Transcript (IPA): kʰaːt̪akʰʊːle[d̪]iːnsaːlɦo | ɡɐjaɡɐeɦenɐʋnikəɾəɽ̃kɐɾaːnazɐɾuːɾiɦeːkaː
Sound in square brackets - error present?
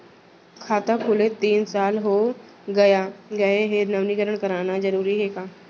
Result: yes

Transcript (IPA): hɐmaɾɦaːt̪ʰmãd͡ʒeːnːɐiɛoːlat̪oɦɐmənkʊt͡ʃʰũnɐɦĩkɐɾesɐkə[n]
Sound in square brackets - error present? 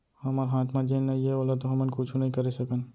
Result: no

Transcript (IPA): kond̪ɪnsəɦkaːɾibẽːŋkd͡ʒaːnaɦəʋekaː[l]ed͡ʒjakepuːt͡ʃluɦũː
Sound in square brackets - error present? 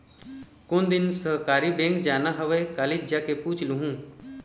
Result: no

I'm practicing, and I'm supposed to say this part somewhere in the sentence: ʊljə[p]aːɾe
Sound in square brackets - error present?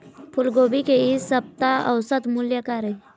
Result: yes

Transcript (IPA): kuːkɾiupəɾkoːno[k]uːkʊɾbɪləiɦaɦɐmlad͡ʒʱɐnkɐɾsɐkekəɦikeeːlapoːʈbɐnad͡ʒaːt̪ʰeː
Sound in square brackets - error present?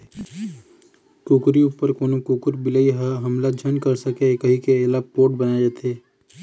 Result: no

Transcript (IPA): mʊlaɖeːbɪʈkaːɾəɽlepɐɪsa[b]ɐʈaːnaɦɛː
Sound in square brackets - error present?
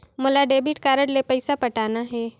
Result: yes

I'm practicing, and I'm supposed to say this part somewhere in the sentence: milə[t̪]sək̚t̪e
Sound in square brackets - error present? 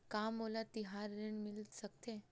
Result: no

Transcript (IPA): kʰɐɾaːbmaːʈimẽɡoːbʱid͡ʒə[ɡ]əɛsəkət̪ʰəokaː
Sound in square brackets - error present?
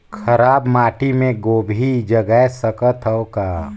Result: no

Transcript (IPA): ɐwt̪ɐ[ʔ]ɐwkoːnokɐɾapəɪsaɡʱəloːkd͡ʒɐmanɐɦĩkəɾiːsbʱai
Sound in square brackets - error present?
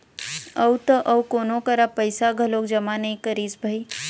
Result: no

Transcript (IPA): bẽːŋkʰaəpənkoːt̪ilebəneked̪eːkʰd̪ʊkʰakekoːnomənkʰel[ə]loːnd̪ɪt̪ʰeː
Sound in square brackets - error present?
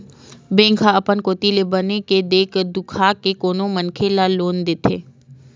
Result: yes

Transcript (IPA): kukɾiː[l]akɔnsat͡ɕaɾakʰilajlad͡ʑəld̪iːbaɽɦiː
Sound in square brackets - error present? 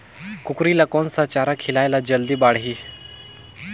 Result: no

